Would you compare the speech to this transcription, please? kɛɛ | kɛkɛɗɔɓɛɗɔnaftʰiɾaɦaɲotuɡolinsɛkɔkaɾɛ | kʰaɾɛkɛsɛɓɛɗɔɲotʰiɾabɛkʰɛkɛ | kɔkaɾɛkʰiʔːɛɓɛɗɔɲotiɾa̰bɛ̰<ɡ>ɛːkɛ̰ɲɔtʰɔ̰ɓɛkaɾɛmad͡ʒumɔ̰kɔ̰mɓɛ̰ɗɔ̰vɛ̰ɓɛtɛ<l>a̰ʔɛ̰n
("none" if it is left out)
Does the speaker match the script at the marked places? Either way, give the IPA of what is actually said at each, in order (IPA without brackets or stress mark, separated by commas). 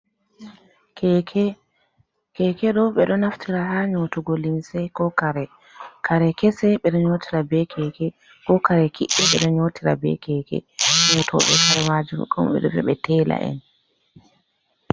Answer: k, l